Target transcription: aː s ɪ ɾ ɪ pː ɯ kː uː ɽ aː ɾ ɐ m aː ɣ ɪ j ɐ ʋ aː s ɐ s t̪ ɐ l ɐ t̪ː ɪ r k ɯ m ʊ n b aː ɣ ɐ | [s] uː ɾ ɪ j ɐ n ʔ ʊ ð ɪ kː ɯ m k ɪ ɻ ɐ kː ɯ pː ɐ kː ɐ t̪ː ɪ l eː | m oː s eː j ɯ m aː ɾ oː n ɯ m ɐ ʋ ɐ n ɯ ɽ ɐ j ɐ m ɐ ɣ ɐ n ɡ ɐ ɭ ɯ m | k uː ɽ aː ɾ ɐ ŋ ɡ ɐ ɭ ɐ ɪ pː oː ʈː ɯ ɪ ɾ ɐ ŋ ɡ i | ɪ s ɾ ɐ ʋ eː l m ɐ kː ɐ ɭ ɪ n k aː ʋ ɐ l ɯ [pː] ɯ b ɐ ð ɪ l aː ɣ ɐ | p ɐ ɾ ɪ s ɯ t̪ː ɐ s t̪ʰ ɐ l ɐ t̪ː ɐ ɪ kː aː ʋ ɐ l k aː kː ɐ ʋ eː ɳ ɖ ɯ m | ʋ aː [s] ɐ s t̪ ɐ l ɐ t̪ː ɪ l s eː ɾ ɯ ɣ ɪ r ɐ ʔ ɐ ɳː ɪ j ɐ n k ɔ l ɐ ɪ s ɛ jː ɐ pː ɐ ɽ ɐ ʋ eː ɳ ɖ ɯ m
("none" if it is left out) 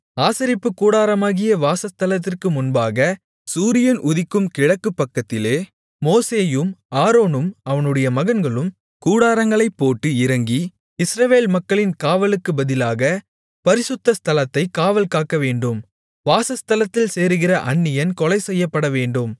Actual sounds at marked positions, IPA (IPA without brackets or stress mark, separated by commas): s, kː, s